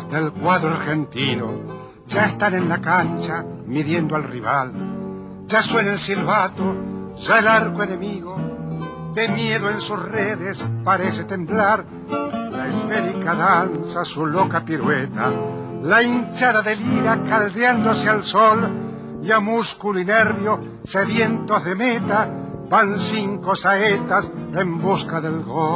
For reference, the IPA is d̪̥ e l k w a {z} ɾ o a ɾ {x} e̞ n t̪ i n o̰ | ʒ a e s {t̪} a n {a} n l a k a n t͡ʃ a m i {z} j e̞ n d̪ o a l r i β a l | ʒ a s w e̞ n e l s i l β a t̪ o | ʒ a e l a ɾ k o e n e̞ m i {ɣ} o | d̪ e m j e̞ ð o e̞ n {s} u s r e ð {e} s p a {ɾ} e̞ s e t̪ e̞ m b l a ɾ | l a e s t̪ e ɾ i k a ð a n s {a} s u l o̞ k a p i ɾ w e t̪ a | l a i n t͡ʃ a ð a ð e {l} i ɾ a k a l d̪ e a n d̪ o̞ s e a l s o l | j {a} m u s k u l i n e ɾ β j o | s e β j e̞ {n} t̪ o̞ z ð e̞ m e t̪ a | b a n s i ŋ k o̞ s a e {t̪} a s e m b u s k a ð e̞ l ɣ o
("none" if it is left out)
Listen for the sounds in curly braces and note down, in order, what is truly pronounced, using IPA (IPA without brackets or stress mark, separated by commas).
ð, x, t̪, e, ð, ɣ, s, e, ɾ, a, l, a, n, t̪